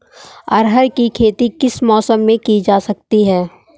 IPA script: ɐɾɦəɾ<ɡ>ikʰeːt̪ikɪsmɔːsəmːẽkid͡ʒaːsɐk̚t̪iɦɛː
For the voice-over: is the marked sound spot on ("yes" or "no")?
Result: no